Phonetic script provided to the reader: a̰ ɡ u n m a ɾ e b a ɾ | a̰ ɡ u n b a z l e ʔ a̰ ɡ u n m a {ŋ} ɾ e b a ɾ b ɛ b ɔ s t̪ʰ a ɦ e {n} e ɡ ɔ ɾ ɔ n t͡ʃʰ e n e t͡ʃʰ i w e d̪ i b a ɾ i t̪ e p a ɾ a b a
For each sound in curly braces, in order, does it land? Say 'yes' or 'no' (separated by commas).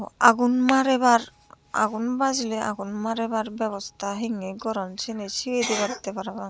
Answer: no, no